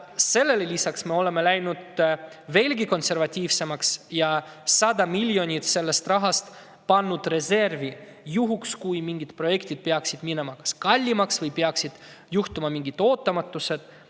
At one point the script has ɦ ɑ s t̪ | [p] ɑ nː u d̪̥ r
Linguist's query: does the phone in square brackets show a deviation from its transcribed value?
no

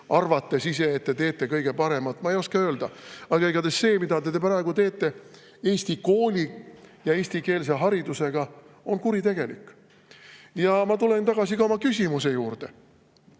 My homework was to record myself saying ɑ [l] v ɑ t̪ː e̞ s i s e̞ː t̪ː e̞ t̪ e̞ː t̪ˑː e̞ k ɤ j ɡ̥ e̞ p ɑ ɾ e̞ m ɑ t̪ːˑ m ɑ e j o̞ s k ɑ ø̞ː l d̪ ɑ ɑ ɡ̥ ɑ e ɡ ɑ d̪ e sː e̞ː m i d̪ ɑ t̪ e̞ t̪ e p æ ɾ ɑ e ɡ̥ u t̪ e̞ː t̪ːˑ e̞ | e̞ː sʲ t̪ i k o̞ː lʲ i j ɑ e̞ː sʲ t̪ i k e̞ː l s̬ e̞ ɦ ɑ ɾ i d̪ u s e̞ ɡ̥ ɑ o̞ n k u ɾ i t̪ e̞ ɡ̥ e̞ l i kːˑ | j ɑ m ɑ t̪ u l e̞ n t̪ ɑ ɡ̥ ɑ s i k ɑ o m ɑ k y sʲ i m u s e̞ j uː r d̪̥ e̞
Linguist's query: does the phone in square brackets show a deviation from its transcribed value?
yes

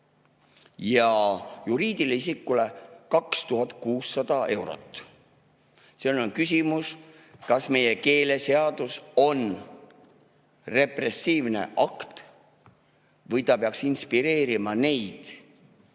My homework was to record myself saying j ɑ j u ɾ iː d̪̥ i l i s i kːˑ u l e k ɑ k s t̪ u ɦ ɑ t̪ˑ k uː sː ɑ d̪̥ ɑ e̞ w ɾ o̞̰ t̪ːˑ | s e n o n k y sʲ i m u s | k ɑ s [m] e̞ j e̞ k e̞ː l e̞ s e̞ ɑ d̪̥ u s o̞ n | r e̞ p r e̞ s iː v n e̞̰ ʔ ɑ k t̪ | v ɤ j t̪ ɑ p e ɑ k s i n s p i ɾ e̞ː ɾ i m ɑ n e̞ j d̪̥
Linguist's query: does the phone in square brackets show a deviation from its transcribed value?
no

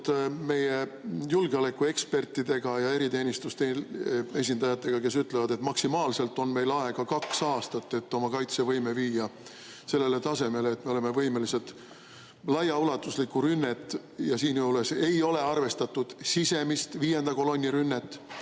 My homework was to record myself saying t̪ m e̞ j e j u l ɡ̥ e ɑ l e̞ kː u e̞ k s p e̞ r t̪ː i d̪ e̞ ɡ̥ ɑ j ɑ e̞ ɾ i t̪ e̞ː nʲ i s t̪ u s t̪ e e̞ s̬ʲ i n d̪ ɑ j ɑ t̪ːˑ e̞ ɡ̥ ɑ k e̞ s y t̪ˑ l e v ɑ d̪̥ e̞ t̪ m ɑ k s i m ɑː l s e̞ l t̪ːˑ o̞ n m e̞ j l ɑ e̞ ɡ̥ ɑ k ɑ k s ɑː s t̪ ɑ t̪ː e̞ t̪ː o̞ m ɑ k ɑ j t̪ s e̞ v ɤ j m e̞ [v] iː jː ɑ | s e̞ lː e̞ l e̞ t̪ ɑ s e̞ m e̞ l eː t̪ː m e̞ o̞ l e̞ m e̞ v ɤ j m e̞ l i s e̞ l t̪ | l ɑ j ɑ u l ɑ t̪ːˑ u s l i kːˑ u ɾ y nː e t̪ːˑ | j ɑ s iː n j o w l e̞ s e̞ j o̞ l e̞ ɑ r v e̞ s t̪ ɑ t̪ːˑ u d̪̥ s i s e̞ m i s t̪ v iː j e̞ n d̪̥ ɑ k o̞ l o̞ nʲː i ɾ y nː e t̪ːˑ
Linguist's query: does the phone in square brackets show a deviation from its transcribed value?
no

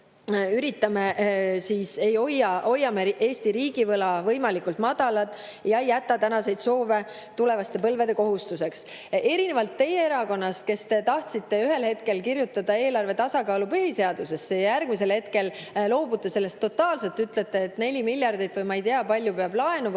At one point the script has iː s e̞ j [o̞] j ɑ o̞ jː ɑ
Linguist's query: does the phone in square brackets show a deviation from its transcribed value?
no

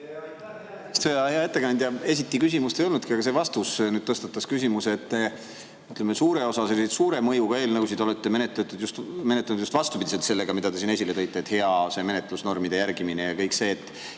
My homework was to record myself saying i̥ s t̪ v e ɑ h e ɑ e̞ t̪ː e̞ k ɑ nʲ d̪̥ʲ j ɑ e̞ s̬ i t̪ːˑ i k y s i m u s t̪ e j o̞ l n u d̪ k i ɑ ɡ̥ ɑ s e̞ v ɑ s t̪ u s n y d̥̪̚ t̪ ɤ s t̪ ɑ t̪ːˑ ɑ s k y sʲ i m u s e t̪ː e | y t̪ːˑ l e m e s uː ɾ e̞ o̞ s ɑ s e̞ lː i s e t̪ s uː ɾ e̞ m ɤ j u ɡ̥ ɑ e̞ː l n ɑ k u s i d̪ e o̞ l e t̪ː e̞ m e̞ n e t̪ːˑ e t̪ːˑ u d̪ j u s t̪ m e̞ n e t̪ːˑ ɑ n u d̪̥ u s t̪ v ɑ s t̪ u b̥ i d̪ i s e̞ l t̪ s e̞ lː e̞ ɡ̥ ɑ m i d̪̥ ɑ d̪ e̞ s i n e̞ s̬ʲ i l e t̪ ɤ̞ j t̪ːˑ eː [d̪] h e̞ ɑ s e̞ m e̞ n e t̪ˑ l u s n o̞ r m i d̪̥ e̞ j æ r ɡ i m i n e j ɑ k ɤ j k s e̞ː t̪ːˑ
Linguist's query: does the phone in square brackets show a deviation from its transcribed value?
yes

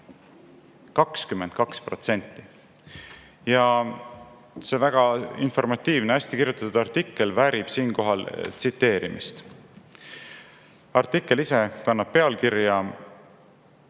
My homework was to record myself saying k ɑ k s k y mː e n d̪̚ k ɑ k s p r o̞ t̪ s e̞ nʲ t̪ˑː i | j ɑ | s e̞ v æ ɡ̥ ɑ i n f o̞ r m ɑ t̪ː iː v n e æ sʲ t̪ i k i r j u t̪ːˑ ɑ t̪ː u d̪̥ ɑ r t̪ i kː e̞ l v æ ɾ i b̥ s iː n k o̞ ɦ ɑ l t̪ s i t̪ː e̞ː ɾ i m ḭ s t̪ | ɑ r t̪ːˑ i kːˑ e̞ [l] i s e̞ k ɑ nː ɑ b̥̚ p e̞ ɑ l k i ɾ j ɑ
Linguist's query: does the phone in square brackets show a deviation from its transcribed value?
no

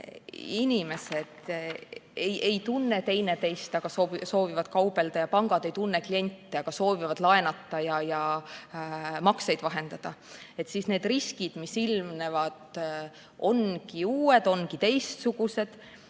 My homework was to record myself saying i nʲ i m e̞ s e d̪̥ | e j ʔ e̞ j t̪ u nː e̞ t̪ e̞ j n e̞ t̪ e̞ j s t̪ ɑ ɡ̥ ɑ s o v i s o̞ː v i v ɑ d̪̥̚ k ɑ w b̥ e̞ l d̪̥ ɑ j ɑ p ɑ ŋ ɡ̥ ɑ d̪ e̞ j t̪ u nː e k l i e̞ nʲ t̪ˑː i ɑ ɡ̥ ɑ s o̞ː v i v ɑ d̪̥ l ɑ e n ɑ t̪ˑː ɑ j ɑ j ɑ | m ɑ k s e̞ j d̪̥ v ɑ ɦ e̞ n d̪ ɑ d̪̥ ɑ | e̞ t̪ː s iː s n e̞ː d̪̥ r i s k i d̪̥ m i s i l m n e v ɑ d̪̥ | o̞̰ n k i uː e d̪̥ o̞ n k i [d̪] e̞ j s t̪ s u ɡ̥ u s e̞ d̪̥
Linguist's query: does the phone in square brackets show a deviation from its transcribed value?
yes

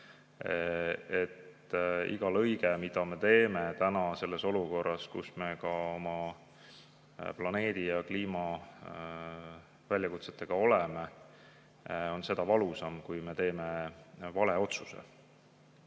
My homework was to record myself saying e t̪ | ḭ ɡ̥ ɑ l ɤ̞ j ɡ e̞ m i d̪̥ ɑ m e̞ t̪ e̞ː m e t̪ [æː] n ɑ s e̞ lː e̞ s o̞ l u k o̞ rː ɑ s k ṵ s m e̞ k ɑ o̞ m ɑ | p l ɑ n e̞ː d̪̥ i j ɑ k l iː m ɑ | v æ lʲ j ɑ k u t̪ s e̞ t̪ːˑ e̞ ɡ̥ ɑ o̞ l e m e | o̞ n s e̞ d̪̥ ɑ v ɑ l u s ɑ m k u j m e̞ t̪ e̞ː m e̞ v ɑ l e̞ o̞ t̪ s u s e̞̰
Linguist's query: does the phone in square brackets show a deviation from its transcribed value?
yes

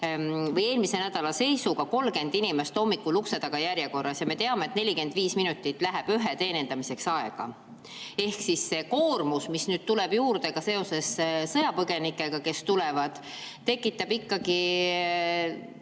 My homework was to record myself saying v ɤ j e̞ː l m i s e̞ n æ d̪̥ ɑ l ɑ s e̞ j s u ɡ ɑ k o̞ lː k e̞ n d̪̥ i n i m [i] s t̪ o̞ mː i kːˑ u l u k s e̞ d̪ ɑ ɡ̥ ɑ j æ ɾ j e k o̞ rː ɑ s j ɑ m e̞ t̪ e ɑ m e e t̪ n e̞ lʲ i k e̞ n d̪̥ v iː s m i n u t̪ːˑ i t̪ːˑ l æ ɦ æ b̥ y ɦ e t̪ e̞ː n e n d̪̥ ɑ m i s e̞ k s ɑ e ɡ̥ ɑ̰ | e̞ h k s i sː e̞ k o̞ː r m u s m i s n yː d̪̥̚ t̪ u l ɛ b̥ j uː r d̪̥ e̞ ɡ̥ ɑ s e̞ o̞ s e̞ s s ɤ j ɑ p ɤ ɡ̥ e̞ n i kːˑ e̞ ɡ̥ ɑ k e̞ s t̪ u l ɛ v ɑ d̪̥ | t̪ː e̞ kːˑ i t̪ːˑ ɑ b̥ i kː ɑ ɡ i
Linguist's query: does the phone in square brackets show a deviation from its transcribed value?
yes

